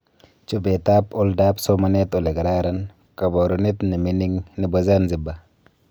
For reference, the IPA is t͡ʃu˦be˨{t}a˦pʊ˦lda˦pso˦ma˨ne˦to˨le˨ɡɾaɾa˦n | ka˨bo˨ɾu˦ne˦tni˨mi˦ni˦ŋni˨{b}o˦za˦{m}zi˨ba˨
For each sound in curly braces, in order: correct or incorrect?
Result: correct, correct, incorrect: n

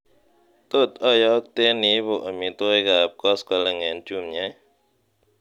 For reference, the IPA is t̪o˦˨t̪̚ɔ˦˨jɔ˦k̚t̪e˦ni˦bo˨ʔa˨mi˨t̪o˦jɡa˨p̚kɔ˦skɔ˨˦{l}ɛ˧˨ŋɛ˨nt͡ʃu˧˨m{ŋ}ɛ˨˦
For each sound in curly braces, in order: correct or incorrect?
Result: correct, incorrect: ɲ

